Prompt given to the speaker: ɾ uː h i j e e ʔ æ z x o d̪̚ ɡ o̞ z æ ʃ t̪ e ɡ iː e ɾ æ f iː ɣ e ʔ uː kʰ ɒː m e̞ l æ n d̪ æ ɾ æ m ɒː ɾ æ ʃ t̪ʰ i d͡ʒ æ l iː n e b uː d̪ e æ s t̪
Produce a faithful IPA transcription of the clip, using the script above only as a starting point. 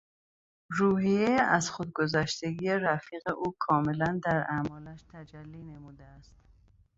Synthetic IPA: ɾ uː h i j e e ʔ æ z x o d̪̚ ɡ o̞ z æ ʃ t̪ e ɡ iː e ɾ æ f iː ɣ e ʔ uː kʰ ɒː m e̞ l æ n d̪ æ ɾ æ m ɒː l æ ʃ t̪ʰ æ d͡ʒ æ lː iː n e m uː d̪ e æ s t̪